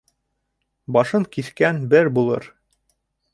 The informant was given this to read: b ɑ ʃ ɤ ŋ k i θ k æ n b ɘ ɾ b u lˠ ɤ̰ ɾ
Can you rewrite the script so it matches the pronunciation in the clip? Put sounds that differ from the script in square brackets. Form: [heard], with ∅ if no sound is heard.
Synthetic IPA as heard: b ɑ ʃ ɤ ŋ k i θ k æ n b ɘ ɾ b u lˠ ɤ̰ ɾ